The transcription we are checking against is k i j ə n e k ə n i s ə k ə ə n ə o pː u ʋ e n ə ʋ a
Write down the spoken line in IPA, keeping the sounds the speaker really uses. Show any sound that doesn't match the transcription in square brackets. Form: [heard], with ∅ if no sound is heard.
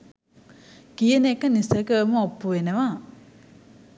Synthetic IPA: k i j ə n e k ə n i s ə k ə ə [m] ə o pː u ʋ e n ə ʋ a